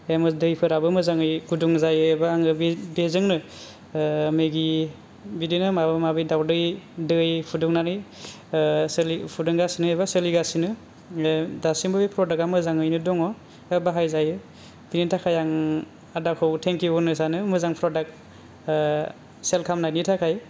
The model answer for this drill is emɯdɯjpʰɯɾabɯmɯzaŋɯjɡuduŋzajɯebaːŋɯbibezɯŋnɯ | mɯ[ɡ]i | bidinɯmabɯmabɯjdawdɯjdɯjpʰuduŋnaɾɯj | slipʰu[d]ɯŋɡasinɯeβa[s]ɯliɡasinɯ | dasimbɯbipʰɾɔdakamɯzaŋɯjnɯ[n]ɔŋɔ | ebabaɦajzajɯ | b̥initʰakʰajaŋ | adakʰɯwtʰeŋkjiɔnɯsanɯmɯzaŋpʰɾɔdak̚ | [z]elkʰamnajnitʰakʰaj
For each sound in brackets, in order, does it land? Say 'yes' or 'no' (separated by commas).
yes, yes, yes, no, no